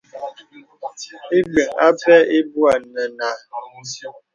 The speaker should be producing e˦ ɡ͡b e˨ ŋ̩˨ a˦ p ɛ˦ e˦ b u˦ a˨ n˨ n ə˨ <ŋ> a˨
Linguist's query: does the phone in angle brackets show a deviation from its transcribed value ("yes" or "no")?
yes